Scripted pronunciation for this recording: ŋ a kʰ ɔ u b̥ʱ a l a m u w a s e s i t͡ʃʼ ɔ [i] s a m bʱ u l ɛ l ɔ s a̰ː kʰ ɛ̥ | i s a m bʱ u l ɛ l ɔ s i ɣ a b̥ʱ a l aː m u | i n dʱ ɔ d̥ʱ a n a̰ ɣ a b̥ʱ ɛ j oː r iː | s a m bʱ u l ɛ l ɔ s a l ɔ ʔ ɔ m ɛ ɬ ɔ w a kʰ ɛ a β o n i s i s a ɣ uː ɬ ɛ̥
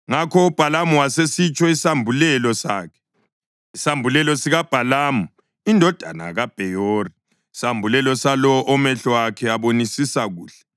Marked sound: correct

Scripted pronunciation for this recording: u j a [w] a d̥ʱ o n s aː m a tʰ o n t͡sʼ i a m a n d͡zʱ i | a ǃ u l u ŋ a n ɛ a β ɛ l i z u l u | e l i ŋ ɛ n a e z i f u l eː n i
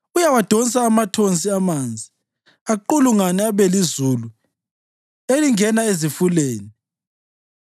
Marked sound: correct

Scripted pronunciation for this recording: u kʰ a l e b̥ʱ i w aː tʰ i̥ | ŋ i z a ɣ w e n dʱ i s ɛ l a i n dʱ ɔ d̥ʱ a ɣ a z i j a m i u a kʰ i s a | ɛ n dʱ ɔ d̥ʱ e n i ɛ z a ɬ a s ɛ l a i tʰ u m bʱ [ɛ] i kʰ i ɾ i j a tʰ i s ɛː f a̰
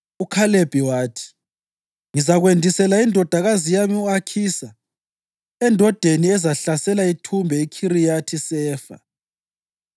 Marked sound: correct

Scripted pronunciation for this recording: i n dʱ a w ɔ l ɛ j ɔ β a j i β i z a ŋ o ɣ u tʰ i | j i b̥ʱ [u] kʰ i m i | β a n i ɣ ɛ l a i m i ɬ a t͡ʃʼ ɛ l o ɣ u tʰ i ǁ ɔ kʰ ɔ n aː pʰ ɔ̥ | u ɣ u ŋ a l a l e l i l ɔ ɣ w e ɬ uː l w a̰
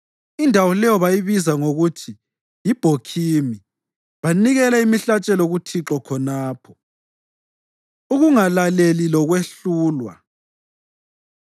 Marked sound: incorrect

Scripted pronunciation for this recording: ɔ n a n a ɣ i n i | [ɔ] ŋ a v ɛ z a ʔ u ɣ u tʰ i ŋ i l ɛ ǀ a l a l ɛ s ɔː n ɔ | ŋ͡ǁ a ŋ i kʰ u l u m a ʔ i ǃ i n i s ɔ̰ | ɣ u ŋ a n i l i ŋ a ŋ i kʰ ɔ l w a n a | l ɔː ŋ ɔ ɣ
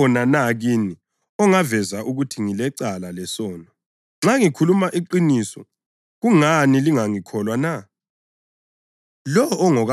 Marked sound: correct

